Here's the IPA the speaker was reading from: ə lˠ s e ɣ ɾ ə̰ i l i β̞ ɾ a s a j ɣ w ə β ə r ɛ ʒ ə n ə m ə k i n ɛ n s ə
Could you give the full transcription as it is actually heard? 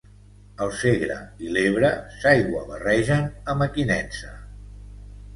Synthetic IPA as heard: ə lˠ s e ɣ ɾ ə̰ i l e β̞ ɾ ə s a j ɣ w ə β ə r ɛ ʒ ə n ə m ə k i n ɛ n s ə